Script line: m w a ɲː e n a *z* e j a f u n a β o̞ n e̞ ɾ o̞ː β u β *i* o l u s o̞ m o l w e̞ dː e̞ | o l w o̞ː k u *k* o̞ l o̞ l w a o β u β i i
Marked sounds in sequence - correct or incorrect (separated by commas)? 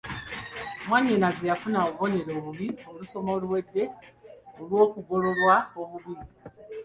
correct, correct, incorrect